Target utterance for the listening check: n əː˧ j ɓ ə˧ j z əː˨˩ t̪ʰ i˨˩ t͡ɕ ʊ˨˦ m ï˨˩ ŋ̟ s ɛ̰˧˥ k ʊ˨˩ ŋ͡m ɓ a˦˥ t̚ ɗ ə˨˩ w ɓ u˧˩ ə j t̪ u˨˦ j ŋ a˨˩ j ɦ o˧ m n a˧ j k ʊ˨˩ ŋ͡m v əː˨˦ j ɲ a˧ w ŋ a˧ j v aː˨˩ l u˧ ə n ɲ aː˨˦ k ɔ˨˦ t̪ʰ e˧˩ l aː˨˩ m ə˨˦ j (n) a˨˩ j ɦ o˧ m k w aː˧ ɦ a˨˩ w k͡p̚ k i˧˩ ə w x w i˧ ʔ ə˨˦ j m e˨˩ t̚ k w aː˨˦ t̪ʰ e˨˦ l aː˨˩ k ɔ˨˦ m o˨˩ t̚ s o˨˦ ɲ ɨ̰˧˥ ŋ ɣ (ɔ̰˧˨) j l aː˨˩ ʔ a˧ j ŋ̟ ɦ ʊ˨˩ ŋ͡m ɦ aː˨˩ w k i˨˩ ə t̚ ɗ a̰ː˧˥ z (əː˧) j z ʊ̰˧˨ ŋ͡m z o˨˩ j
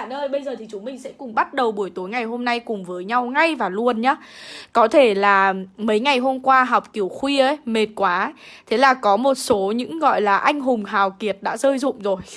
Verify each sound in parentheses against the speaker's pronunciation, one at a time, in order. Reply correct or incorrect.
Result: incorrect: ŋ, correct, correct

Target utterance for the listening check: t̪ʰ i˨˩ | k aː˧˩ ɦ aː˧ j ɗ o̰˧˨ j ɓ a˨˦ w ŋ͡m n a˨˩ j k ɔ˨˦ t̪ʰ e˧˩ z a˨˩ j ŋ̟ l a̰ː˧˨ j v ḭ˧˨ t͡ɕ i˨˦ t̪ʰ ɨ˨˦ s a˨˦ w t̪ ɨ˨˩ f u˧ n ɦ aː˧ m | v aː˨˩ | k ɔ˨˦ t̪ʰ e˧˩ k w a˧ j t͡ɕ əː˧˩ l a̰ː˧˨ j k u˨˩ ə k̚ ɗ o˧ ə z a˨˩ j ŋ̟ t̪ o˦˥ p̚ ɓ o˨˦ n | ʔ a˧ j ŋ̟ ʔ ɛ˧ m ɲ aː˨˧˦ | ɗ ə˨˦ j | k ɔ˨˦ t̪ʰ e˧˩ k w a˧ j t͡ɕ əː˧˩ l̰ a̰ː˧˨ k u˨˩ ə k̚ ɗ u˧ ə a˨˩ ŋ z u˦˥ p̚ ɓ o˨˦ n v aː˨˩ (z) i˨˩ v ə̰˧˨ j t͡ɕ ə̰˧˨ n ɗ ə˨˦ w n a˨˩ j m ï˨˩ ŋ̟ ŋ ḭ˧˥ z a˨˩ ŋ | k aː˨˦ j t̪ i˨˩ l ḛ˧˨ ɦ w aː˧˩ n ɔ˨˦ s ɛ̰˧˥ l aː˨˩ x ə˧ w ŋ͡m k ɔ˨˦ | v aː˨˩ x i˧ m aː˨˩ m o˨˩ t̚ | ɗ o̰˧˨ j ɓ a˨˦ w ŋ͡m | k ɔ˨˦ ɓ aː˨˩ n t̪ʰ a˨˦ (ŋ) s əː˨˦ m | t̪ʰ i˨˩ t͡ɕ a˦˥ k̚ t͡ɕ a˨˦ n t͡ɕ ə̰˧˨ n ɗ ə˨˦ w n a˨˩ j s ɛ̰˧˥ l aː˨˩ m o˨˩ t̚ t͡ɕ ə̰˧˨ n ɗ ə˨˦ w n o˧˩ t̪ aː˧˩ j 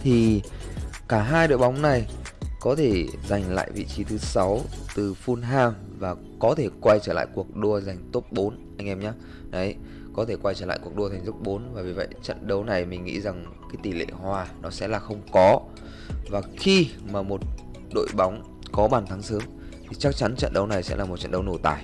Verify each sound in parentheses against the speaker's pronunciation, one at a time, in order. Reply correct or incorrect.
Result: incorrect: v, correct

